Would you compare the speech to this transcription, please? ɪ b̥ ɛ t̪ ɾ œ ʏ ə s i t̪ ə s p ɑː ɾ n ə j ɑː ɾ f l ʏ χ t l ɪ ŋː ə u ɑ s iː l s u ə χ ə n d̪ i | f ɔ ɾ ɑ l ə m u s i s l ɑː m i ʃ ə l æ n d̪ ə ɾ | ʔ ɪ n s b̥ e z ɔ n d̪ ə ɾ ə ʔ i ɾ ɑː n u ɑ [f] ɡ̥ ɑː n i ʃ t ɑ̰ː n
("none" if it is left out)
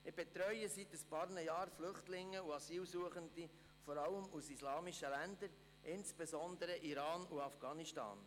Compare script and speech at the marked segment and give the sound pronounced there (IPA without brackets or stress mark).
f